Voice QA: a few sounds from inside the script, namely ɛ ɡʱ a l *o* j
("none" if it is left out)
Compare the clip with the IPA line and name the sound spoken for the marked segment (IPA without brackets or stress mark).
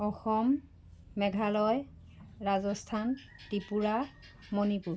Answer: ɔ